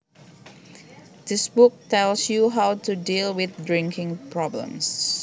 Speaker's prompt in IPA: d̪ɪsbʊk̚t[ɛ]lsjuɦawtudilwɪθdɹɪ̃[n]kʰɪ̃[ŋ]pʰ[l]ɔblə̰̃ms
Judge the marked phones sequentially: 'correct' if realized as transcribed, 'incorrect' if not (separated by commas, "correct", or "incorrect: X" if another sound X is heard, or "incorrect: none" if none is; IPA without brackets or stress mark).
correct, incorrect: ŋ, correct, incorrect: ɹ